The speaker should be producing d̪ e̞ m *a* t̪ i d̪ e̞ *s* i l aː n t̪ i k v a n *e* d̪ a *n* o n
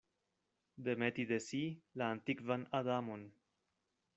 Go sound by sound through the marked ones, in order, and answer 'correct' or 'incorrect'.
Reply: incorrect: e, correct, incorrect: a, incorrect: m

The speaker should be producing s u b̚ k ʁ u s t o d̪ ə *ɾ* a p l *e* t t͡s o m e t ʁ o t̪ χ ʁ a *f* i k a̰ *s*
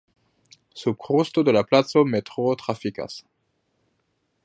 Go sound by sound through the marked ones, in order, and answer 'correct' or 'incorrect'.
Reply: incorrect: l, incorrect: a, correct, correct

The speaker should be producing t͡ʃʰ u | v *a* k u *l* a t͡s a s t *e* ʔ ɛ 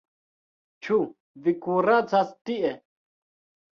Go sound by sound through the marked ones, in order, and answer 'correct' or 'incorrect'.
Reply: incorrect: i, incorrect: ɾ, incorrect: i

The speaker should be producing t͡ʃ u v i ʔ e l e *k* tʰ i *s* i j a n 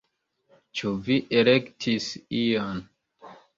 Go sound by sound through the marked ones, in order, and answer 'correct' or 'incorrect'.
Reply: correct, correct

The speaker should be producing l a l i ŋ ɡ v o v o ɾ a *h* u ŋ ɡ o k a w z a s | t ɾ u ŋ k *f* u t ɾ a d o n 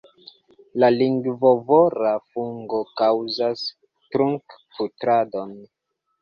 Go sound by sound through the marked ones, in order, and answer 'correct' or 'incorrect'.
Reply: incorrect: f, correct

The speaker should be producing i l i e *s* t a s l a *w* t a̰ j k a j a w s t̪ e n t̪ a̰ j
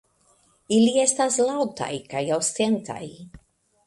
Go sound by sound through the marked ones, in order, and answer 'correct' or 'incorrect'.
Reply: correct, correct

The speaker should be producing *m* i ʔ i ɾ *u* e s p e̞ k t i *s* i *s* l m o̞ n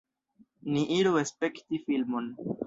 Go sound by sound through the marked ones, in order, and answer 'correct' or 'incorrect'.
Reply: incorrect: n, correct, incorrect: f, incorrect: none

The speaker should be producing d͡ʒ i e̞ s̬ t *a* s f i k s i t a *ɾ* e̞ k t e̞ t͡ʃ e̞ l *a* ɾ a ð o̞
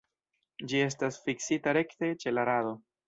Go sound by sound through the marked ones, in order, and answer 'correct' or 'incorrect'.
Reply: correct, correct, correct

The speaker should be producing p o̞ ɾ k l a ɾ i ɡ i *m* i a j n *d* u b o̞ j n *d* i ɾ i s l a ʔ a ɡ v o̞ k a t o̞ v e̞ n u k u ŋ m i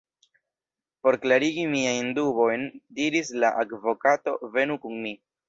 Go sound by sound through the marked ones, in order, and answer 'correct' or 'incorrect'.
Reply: correct, correct, correct

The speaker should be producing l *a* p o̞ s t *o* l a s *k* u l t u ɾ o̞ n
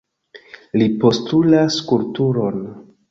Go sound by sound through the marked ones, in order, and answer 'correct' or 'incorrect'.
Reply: incorrect: i, incorrect: u, correct

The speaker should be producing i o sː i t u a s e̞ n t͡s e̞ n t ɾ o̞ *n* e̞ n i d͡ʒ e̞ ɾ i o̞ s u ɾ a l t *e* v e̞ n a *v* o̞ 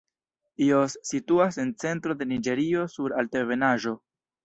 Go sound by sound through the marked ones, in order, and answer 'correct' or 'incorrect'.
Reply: incorrect: d, correct, incorrect: ʒ

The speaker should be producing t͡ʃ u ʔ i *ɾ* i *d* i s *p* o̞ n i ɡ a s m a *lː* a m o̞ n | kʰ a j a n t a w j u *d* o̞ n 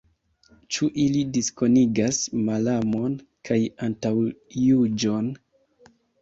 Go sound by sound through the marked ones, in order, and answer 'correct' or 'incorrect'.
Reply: incorrect: l, correct, incorrect: k, incorrect: l, incorrect: d͡ʒ

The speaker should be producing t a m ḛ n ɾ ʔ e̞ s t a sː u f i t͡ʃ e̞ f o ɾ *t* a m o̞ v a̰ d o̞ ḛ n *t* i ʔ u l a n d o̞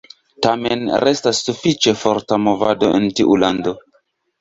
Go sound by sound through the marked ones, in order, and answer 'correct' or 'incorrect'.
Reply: correct, correct

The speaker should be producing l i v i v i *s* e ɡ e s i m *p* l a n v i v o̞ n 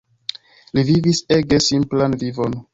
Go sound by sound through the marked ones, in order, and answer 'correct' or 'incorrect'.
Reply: correct, correct

